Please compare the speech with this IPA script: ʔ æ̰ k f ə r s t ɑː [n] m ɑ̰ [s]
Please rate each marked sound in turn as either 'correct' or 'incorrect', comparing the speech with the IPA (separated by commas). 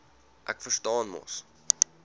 correct, correct